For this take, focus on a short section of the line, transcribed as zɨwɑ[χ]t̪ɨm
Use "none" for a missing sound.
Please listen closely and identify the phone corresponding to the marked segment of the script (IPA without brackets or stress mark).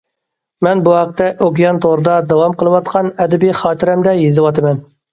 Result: none